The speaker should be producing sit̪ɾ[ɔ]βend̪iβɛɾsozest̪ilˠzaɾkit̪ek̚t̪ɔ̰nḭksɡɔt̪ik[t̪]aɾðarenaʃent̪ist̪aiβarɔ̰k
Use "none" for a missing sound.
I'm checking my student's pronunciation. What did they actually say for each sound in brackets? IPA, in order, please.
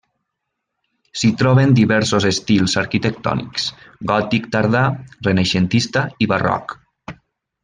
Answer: ɔ, t̪

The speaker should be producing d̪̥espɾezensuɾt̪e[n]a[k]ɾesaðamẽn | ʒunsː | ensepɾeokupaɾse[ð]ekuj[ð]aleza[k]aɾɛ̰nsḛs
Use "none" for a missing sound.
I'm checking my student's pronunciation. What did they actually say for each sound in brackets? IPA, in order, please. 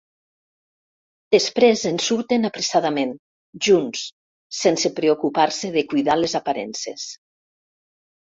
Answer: n, p, ð, ð, p

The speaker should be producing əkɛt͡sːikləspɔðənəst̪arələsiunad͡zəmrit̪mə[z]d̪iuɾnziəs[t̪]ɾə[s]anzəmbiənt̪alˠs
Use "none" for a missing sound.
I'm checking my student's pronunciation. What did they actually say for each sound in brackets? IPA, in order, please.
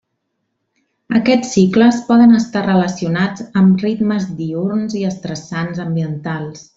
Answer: z, t̪, s

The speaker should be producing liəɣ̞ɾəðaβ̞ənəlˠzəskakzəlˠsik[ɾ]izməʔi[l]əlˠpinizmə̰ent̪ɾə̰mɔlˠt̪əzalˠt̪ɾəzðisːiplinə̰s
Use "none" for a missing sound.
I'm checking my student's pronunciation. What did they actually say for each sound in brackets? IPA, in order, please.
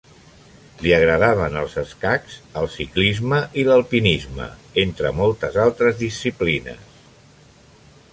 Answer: l, l

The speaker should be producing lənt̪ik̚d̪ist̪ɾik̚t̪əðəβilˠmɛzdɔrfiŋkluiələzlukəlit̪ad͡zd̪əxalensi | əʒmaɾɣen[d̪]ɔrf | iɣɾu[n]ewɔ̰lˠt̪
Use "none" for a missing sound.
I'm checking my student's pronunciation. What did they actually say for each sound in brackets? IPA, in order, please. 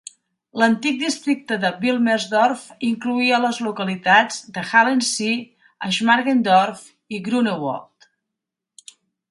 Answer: d̪, n

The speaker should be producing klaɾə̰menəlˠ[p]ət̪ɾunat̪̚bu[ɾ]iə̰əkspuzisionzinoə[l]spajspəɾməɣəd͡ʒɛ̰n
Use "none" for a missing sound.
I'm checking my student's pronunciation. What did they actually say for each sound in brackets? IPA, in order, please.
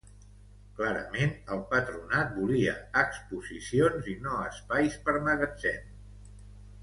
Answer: p, l, none

